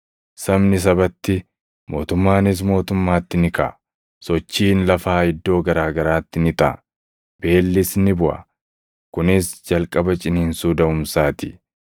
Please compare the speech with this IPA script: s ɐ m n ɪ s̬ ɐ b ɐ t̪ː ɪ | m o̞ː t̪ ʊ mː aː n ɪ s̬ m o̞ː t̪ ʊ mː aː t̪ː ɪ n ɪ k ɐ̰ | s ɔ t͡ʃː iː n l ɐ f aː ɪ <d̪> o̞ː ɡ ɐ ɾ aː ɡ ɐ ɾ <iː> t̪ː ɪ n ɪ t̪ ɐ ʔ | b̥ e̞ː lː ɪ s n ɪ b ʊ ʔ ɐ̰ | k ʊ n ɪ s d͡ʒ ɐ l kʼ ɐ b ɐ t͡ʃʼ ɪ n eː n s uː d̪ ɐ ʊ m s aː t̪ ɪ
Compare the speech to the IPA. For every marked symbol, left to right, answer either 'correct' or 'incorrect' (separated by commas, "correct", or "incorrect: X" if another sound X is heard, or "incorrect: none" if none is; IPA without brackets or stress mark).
incorrect: d̪ː, incorrect: aː